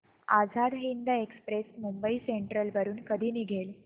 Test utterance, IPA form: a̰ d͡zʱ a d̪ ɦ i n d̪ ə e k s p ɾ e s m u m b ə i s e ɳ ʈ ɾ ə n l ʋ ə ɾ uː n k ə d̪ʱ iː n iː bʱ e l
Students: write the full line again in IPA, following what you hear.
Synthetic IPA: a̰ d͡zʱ a d̪ ɦ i n d̪ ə e k s p ɾ e s m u m b ə i s e ɳ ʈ ɾ ə l ʋ ə ɾ uː n k ə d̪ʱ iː n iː ɡʱ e l

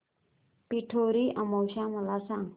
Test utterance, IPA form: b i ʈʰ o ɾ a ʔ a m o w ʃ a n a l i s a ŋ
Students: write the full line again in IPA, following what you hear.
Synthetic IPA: p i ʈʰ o ɾ i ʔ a m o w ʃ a m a l a s a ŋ

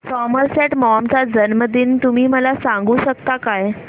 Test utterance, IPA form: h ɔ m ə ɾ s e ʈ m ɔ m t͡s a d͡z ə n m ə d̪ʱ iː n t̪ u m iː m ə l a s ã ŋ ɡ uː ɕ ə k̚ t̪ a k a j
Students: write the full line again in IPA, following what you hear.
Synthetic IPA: s ɔ m ə ɾ s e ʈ m ɔ m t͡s a d͡z ə n m ə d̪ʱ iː n t̪ u m iː m ə l a s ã ŋ ɡ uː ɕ ə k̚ t̪ a k a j

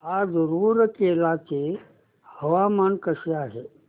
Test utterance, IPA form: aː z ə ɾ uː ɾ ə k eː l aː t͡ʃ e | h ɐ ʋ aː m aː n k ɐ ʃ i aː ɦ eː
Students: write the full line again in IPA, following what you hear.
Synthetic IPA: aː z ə ɾ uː ɾ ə k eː l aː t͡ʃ e | h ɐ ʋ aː m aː n k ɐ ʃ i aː ɦ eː

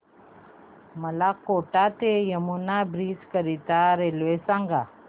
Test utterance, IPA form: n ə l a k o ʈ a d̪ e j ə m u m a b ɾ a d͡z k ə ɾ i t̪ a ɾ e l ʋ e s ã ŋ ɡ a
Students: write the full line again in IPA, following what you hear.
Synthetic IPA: m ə l a k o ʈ a t̪ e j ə m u n a b ɾ i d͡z k ə ɾ i t̪ a ɾ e l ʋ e s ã ŋ ɡ a

